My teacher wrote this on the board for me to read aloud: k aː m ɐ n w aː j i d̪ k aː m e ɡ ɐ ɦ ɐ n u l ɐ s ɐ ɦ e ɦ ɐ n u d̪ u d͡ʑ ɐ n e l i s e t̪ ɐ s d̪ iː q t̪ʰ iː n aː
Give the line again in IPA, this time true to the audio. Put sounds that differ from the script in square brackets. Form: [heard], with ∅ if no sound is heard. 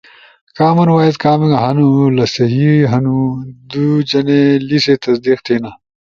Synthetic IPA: k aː m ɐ n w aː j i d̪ k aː m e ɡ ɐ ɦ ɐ n u l ɐ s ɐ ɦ [i] ɦ ɐ n u d̪ u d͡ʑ ɐ n e l i s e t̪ ɐ s d̪ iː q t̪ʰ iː n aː